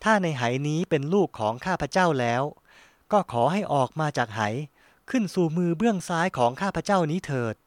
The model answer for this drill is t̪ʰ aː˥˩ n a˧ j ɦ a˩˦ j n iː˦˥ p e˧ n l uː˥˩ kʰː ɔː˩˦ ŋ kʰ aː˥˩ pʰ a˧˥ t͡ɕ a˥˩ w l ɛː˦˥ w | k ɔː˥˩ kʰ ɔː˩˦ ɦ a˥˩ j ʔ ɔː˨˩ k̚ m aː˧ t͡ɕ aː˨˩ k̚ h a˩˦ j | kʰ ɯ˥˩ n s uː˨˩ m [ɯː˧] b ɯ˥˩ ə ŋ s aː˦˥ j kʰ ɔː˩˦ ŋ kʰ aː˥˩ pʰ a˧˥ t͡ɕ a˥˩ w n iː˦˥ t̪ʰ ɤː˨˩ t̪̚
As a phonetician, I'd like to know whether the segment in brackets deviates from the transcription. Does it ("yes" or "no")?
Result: no